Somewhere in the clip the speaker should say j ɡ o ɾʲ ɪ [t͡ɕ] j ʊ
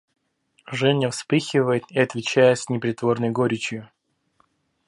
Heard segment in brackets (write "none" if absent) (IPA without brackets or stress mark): t͡ɕ